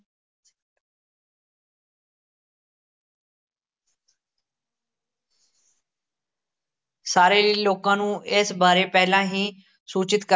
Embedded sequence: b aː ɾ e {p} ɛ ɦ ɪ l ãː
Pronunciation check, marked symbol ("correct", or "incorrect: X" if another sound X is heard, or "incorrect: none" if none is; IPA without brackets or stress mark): correct